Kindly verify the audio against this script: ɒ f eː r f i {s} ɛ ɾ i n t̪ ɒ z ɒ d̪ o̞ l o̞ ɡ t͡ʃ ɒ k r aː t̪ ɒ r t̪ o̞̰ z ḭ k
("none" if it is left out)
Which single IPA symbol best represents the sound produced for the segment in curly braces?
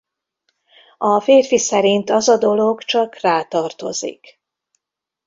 s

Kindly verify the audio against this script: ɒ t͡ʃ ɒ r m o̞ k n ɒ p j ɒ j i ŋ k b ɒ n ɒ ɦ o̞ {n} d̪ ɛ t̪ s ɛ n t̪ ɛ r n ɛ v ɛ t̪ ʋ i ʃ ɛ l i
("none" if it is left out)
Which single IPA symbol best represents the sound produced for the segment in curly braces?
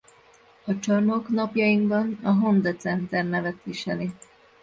n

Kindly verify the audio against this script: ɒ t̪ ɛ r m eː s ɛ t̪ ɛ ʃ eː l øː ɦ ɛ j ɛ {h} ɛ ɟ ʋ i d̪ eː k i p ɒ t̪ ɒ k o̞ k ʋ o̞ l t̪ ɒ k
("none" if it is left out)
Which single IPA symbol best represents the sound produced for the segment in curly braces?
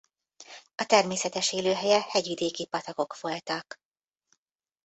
h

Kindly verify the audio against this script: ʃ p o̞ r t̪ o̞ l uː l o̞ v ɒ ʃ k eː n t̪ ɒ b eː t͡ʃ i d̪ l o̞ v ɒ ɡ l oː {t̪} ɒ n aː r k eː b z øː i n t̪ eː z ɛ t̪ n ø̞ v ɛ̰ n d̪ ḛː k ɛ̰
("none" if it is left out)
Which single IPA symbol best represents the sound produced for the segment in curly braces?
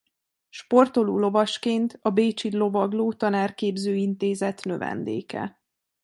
t̪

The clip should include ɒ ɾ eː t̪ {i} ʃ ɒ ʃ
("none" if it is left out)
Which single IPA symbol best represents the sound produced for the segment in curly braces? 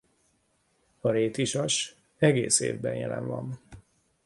i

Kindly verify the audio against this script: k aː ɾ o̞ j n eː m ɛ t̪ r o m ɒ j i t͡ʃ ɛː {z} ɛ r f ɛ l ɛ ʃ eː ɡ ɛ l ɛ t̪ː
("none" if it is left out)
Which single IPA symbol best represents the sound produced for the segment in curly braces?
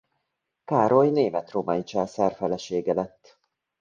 s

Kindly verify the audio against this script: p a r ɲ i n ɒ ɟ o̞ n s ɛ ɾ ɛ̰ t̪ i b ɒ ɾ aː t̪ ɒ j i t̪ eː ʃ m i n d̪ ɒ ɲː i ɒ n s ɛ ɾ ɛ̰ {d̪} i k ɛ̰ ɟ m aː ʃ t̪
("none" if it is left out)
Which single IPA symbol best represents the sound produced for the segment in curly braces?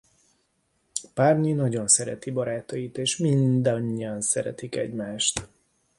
t̪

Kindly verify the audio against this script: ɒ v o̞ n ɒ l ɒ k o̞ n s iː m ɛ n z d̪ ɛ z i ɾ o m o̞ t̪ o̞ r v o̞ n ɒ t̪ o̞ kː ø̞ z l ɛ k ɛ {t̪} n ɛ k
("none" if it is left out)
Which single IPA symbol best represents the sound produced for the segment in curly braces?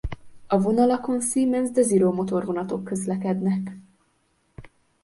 d̪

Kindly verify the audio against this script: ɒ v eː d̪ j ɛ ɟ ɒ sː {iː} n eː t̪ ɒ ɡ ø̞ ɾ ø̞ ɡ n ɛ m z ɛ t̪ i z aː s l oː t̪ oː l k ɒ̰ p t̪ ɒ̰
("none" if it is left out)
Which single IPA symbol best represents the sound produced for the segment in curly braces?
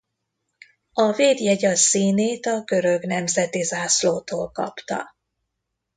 iː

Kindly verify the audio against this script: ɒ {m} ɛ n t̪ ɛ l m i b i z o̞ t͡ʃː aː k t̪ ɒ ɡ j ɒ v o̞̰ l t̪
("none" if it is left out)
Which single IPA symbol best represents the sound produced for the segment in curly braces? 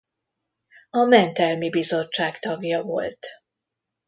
m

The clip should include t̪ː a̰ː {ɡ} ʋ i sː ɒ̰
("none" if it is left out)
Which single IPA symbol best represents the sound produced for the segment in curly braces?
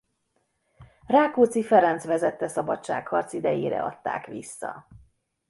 k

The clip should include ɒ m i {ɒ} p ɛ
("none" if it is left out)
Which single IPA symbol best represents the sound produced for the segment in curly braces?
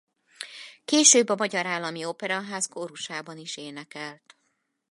o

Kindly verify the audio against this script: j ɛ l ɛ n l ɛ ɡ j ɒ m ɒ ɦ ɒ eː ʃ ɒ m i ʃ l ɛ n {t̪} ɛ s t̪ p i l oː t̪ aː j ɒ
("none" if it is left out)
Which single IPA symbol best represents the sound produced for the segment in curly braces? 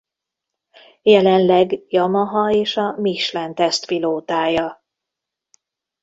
t̪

